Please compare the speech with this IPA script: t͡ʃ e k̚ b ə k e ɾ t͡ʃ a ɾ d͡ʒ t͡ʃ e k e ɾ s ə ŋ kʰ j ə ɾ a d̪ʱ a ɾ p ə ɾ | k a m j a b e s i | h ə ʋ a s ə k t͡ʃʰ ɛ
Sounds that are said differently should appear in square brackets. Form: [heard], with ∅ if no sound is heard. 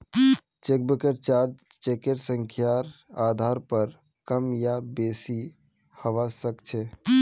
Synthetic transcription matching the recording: t͡ʃ e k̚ b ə k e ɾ t͡ʃ a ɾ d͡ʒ t͡ʃ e k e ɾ s ə ŋ kʰ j [a] ɾ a d̪ʱ a ɾ p ə ɾ | k [ə] m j a b e s i | h ə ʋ a s ə k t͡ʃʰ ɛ